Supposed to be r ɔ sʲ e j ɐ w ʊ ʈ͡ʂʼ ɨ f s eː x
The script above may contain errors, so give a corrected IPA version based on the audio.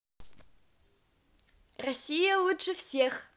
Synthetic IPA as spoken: r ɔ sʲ i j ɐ w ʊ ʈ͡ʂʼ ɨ f s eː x